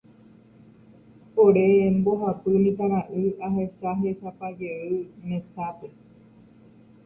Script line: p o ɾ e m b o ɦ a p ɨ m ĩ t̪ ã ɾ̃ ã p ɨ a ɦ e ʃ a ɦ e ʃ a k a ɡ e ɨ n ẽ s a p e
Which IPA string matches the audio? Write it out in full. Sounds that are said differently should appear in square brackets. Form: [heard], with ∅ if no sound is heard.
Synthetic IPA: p o ɾ e m b o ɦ a p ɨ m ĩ t̪ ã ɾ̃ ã [ʔ] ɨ a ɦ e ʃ a ɦ e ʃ a [p] a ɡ e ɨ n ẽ s a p e

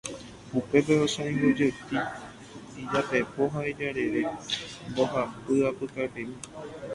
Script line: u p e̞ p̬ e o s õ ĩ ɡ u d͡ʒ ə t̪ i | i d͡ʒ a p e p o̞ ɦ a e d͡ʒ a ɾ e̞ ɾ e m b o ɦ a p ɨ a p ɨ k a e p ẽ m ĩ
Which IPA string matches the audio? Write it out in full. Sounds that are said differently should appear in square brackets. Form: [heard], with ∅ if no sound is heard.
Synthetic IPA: u p e̞ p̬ e o s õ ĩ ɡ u d͡ʒ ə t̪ i | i d͡ʒ a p e p o̞ ɦ a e d͡ʒ a ɾ e̞ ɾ e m b o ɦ a p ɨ a p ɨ k a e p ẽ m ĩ

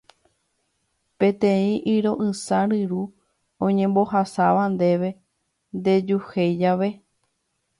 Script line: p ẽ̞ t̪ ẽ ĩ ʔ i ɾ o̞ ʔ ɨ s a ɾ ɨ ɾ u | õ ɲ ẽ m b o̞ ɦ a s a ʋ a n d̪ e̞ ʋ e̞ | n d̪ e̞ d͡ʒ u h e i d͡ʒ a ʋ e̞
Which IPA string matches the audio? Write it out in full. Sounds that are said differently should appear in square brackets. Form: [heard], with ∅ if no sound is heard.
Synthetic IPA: p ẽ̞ t̪ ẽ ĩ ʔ i ɾ o̞ ʔ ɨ s a ɾ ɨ ɾ u | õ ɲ ẽ m b o̞ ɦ a s a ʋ a n d̪ e̞ ʋ e̞ | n d̪ e̞ d͡ʒ u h e [j] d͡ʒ a ʋ e̞

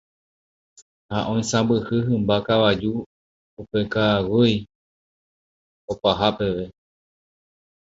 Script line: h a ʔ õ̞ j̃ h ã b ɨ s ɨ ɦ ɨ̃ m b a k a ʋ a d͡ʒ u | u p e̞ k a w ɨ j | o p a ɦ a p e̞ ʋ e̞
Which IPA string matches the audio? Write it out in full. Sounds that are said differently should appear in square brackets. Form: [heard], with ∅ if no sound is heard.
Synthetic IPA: h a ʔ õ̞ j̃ [s] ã b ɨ [h] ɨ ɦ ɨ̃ m b a k a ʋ a d͡ʒ u | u p e̞ k a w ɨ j | o p a ɦ a p e̞ ʋ e̞

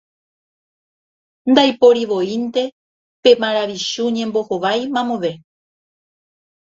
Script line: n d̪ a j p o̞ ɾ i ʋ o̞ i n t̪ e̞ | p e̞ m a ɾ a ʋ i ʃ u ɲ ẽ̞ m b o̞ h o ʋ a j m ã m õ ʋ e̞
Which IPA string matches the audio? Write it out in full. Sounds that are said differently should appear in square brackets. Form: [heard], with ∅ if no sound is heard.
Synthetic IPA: n d̪ a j p o̞ ɾ i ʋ o̞ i n t̪ e̞ | p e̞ m a ɾ a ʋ i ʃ u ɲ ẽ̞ m b o̞ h o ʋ a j m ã m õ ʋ e̞

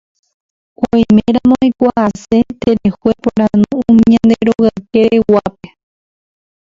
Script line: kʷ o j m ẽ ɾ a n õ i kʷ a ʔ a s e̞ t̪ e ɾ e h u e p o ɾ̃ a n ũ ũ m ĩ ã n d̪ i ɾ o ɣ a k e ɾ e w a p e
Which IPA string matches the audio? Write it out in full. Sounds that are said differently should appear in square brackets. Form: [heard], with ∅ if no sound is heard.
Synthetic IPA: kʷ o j m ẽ ɾ a [m] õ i kʷ a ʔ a s e̞ t̪ e ɾ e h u e p o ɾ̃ a n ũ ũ m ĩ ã n d̪ [e] ɾ o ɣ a k e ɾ e w a p e

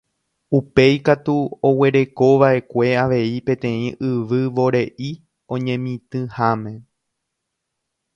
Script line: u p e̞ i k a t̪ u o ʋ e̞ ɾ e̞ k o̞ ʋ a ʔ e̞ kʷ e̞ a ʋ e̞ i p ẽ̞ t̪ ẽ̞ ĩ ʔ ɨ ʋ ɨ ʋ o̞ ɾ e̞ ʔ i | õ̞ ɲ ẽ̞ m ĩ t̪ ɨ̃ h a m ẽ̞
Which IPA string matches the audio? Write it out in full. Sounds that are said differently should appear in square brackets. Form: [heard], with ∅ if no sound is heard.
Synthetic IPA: u p e̞ [j] k a t̪ u o [w] e̞ ɾ e̞ k o̞ ʋ a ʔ e̞ kʷ e̞ a ʋ e̞ i p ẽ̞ t̪ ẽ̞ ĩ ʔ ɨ ʋ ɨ ʋ o̞ ɾ e̞ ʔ i | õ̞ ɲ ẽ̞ m ĩ t̪ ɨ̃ h a m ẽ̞

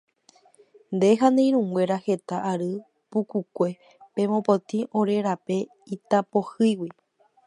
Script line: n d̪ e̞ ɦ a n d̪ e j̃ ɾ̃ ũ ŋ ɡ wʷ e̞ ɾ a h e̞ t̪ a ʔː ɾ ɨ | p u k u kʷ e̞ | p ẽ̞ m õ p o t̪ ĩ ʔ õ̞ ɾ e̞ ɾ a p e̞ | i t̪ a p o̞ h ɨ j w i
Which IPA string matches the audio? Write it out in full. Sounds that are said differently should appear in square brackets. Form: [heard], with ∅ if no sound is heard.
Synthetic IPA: n d̪ e̞ ɦ a n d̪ e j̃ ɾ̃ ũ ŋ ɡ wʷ e̞ ɾ a h e̞ t̪ a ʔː ɾ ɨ | p u k u kʷ e̞ | p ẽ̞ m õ p o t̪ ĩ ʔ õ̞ ɾ e̞ ɾ a p e̞ | i t̪ a p o̞ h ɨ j w i

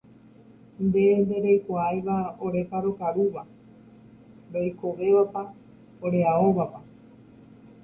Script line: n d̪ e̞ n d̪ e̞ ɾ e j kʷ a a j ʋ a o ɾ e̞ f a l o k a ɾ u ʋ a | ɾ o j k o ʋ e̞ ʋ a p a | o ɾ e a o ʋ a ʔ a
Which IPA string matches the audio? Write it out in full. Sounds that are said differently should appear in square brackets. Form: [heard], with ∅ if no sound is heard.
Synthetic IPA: n d̪ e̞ n d̪ e̞ ɾ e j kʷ a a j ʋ a o ɾ e̞ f a [ɾ] o k a ɾ u ʋ a | ɾ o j k o ʋ e̞ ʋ a p a | o ɾ e a o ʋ a [p] a

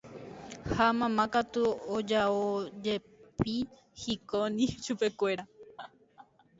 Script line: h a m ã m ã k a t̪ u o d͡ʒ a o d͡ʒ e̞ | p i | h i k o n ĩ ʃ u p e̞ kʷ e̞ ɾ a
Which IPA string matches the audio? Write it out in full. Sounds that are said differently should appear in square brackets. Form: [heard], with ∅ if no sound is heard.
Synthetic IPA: h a m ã m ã k a t̪ u o d͡ʒ a o d͡ʒ e̞ | p i | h i k o n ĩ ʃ u p e̞ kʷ e̞ ɾ a

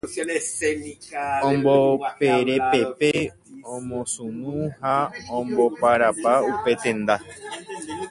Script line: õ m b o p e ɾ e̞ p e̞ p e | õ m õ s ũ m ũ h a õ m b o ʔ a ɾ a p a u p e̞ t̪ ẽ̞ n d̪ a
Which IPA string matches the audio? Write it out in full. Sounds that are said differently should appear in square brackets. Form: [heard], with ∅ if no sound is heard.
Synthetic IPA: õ m b o p e ɾ e̞ p e̞ p e | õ m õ s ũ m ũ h a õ m b o [p] a ɾ a p a u p e̞ t̪ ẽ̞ n d̪ a

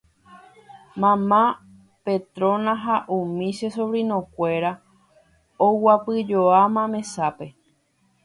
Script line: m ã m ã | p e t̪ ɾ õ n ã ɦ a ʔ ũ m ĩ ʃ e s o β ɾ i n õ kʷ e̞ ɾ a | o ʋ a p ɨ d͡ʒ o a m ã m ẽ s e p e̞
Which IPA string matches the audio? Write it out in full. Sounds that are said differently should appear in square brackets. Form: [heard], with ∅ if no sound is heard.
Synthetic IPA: m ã m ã | p e t̪ ɾ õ n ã ɦ a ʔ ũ m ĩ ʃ e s o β ɾ i n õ kʷ e̞ ɾ a | o [w] a p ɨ d͡ʒ o a m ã m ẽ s [a] p e̞

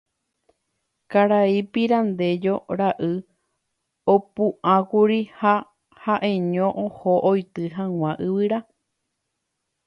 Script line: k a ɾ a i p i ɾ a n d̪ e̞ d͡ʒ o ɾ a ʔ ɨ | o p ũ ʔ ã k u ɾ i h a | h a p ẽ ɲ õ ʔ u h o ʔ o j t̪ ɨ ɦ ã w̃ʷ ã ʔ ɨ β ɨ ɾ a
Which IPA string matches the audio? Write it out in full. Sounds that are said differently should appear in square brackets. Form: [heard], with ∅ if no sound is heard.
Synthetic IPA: k a ɾ a i p i ɾ a n d̪ e̞ d͡ʒ o ɾ a ʔ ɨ | o p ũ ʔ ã k u ɾ i h a | h a [ʔ] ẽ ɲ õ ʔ [o] h o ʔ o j t̪ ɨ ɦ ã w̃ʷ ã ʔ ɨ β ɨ ɾ a

